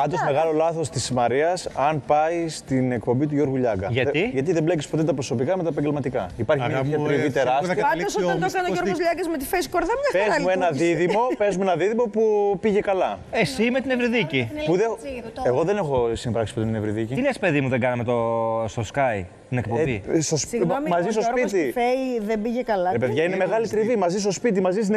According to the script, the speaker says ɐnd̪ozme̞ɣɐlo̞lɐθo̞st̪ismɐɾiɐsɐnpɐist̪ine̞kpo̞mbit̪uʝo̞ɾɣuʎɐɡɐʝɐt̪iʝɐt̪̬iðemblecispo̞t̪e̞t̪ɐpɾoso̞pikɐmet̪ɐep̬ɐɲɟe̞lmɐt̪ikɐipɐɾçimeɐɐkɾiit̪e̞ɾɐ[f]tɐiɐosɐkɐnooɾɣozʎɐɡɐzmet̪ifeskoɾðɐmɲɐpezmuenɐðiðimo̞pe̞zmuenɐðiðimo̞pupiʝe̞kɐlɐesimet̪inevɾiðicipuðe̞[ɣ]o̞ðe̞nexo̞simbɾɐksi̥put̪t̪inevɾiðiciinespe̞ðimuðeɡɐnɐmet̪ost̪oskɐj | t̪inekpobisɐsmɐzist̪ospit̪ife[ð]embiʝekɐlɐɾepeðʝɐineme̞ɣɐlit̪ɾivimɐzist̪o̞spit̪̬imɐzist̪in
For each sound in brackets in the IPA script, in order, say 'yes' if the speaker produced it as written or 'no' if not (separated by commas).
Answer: no, yes, yes